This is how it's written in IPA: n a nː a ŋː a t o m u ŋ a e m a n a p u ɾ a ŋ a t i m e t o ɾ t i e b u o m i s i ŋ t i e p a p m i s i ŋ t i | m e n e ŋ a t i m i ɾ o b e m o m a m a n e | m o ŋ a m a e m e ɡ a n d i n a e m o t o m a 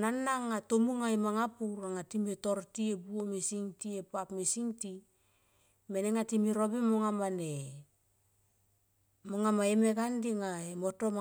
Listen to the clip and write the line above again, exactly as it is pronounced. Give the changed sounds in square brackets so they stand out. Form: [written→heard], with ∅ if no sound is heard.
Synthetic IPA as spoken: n a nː a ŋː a t o m u ŋ a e m a [n→ŋ] a p u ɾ a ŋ a t i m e t o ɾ t i e b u o m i s i ŋ t i e p a p m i s i ŋ t i | m e n e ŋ a t i m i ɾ o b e m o [m→ŋ] a m a n e | m o ŋ a m a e m e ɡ a n d i [n→ŋ] a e m o t o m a